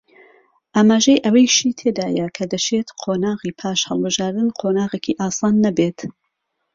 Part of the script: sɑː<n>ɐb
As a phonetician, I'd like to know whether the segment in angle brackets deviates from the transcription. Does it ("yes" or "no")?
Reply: yes